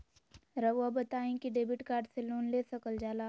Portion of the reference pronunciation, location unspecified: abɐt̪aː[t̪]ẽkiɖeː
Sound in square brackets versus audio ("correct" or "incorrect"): incorrect